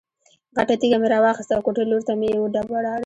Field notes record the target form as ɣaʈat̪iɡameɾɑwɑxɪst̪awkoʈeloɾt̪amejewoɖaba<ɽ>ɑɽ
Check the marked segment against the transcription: correct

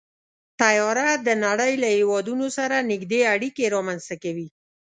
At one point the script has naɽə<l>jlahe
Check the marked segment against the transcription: incorrect: none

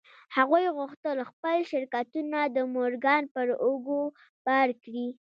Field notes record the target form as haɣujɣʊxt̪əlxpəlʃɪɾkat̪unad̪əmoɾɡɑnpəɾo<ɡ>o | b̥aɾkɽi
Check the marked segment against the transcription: correct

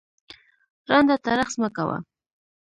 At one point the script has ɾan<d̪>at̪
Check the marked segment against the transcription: correct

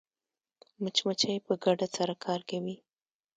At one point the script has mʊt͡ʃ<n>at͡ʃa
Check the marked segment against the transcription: incorrect: m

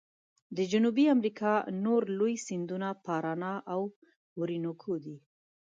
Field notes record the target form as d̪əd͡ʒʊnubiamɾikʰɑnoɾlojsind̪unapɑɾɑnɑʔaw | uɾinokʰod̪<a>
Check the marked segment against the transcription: incorrect: i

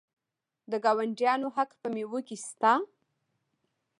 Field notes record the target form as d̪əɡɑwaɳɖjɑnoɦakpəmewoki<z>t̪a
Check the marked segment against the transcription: incorrect: s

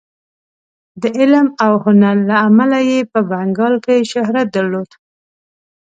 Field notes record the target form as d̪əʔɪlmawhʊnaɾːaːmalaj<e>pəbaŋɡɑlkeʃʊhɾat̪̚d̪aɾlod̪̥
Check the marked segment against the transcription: correct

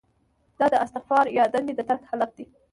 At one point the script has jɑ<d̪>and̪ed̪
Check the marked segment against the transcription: correct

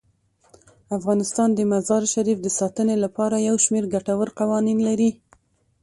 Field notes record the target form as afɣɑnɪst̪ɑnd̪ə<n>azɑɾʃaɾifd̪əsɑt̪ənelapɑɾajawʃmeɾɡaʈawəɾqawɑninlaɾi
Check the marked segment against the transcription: incorrect: m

